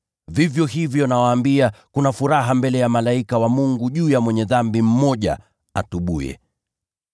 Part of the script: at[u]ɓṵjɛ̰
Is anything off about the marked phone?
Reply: no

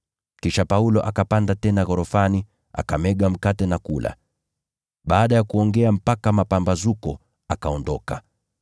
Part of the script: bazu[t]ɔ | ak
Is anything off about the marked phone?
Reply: yes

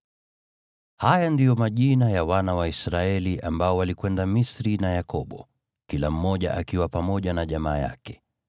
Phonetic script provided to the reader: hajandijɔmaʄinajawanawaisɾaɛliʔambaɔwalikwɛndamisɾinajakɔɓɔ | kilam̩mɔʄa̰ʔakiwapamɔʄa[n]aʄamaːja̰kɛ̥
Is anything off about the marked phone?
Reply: no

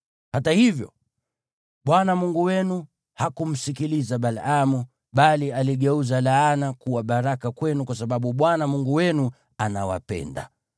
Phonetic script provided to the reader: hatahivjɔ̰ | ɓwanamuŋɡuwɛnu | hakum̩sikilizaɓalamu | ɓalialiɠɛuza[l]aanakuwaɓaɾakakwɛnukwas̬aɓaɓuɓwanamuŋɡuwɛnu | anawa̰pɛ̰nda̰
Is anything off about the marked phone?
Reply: no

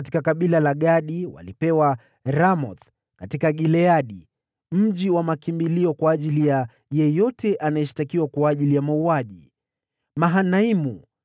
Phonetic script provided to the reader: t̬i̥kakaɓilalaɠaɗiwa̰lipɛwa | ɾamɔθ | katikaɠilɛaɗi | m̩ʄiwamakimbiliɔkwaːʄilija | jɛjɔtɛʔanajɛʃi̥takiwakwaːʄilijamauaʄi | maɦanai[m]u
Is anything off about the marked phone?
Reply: no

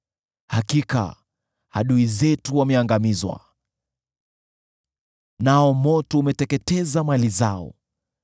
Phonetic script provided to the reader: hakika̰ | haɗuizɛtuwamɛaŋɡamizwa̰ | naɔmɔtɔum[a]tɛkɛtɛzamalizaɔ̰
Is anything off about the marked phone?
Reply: yes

